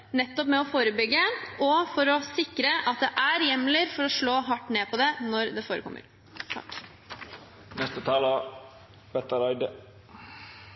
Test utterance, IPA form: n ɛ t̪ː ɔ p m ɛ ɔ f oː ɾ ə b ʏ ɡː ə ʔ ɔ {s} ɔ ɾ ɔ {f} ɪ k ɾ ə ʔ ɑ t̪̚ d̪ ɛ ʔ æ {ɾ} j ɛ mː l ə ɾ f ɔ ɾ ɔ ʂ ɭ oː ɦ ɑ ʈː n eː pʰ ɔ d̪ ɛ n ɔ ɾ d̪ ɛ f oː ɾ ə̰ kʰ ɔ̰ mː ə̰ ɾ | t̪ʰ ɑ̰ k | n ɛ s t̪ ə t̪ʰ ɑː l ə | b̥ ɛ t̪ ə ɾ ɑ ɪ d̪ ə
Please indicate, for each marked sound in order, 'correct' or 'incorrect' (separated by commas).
incorrect, incorrect, correct